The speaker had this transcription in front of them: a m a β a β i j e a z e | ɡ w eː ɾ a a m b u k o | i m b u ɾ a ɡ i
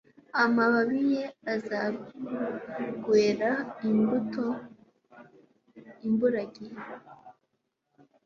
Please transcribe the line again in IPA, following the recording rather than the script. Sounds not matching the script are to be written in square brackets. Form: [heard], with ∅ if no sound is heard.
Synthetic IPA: a m a β a β i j e a z [a] | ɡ w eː ɾ a [i] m b u [t] o | i m b u ɾ a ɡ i